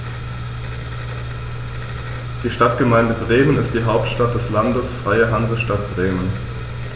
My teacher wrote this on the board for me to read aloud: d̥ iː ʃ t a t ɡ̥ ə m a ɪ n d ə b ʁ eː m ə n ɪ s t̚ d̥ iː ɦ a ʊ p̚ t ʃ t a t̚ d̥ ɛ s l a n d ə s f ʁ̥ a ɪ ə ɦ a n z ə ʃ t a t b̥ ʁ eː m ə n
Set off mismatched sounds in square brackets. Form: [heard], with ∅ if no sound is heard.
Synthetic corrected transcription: d̥ iː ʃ t a t ɡ̥ ə m a ɪ n d ə b ʁ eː m ə n ɪ s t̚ d̥ iː ɦ a ʊ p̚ t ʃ t a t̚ d̥ ɛ s l a n d ə s f ʁ̥ a ɪ ə ɦ a n z ə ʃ t a t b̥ ʁ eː m ə n

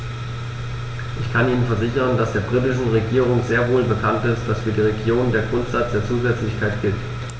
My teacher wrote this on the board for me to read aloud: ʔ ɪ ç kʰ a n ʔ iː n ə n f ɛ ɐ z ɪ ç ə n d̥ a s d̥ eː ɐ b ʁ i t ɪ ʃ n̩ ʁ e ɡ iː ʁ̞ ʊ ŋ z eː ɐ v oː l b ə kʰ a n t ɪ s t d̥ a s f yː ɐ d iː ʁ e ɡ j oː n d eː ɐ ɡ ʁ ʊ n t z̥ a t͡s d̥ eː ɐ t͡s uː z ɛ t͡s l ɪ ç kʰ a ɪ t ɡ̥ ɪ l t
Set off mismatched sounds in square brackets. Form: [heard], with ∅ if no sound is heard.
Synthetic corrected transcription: ʔ ɪ ç kʰ a n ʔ iː n ə n f ɛ ɐ z ɪ ç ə n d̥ a s d̥ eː ɐ b ʁ i t ɪ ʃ n̩ ʁ e ɡ iː ʁ̞ ʊ ŋ z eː ɐ v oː l b ə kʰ a n t ɪ s t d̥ a s f yː ɐ d iː ʁ e ɡ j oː n d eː ɐ ɡ ʁ ʊ n t z̥ a t͡s d̥ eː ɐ t͡s uː z ɛ t͡s l ɪ ç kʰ a ɪ t ɡ̥ ɪ l t

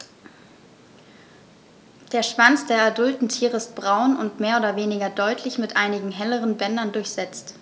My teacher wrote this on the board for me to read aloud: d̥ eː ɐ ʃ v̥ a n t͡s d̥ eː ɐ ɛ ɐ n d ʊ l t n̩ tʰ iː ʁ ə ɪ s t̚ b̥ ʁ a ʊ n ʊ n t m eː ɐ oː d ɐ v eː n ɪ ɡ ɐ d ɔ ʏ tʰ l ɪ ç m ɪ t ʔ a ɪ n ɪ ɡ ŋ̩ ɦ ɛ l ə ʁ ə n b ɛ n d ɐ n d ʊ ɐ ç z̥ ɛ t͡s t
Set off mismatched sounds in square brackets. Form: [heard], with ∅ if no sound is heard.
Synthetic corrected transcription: d̥ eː ɐ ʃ v̥ a n t͡s d̥ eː ɐ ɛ ɐ [∅] d ʊ l t n̩ tʰ iː ʁ ə ɪ s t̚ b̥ ʁ a ʊ n ʊ n t m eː ɐ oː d ɐ v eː n ɪ ɡ ɐ d ɔ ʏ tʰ l ɪ ç m ɪ t ʔ a ɪ n ɪ ɡ ŋ̩ ɦ ɛ l ə ʁ ə n b ɛ n d ɐ n d ʊ ɐ ç z̥ ɛ t͡s t

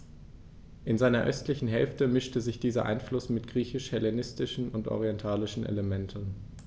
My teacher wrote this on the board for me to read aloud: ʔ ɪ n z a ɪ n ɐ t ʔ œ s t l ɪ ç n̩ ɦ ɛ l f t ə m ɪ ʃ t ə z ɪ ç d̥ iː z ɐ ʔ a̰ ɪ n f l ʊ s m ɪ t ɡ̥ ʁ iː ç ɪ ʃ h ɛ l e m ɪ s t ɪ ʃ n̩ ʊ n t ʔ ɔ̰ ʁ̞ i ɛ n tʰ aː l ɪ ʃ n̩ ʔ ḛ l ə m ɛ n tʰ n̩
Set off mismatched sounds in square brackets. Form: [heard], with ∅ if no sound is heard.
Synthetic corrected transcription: ʔ ɪ n z a ɪ n ɐ [∅] ʔ œ s t l ɪ ç n̩ ɦ ɛ l f t ə m ɪ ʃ t ə z ɪ ç d̥ iː z ɐ ʔ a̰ ɪ n f l ʊ s m ɪ t ɡ̥ ʁ iː ç ɪ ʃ h ɛ l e [n] ɪ s t ɪ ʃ n̩ ʊ n t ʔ ɔ̰ ʁ̞ i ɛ n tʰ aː l ɪ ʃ n̩ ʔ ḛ l ə m ɛ n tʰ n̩

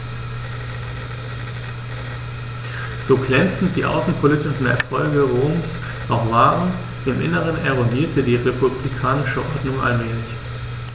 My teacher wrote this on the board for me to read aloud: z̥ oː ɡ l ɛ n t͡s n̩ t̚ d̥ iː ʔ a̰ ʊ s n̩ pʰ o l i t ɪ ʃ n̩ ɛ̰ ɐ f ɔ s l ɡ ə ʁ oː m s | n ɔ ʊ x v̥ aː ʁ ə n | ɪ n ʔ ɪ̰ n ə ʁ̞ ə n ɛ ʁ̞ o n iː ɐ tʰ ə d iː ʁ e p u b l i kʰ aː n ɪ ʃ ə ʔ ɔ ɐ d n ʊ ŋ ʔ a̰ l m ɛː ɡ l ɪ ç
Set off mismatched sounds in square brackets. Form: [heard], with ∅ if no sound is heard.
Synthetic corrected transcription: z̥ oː ɡ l ɛ n t͡s n̩ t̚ d̥ iː ʔ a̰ ʊ s n̩ pʰ o l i t ɪ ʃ n̩ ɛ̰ ɐ f ɔ [∅] l ɡ ə ʁ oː m s | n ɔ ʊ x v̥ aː ʁ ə n | ɪ [m] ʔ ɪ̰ n ə ʁ̞ ə n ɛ ʁ̞ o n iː ɐ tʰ ə d iː ʁ e p u b l i kʰ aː n ɪ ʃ ə ʔ ɔ ɐ d n ʊ ŋ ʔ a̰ l m ɛː [∅] l ɪ ç

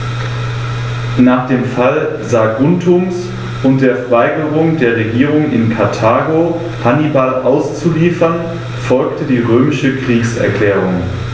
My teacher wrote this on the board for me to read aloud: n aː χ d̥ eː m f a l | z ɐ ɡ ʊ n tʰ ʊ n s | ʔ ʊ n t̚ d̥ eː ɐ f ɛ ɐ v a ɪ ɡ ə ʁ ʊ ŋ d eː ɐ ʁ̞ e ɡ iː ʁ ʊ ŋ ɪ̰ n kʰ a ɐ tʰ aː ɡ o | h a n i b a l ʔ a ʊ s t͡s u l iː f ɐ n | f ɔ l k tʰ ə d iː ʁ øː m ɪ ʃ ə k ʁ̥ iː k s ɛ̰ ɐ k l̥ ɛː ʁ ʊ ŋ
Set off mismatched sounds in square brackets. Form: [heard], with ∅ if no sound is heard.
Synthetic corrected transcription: n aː χ d̥ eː m f a l | z [a] ɡ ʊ n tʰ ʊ [m] s | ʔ ʊ n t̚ d̥ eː ɐ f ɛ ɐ v a ɪ ɡ ə ʁ ʊ ŋ d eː ɐ ʁ̞ e ɡ iː ʁ ʊ ŋ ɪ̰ n kʰ a ɐ tʰ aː ɡ o | h a n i b a l ʔ a ʊ s t͡s u l iː f ɐ n | f ɔ l k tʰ ə d iː ʁ øː m ɪ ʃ ə k ʁ̥ iː k s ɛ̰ ɐ k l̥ ɛː ʁ ʊ ŋ

